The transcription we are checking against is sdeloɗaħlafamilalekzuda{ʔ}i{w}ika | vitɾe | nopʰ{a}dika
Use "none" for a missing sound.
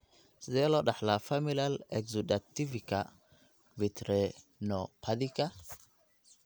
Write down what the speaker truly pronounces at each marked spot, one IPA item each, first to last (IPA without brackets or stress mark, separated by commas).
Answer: t, v, a